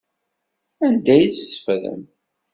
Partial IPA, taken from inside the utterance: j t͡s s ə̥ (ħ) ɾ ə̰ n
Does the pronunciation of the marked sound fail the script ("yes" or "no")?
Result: yes